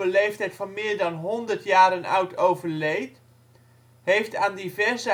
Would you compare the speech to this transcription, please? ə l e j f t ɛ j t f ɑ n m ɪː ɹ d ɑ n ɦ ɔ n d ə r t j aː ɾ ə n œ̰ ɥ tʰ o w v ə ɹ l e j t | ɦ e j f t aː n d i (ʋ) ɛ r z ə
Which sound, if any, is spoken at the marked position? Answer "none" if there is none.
v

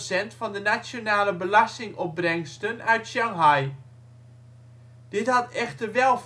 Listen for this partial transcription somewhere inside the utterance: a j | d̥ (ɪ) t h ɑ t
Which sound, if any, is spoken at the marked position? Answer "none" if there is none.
ɪ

